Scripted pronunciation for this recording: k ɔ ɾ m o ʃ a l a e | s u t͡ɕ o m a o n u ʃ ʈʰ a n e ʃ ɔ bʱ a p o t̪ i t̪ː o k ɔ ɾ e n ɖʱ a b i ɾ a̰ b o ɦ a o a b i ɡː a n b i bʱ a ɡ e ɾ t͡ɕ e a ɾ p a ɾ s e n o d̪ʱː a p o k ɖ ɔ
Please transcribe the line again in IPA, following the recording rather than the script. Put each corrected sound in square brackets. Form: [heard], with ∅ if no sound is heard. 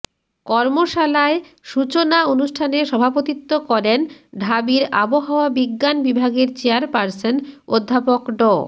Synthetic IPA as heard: k ɔ ɾ m o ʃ a l a e | [ʃ] u t͡ɕ o [n] a o n u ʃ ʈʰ a n e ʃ ɔ bʱ a p o t̪ i t̪ː o k ɔ ɾ e n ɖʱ a b i ɾ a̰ b o ɦ a o a b i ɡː a n b i bʱ a ɡ e ɾ t͡ɕ e a ɾ p a ɾ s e n o d̪ʱː a p o k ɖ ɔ